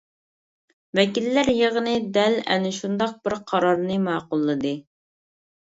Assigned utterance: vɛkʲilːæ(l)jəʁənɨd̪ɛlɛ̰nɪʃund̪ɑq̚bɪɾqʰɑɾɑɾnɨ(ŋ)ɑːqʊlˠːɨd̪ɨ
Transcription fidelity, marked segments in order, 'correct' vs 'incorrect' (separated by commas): incorrect, incorrect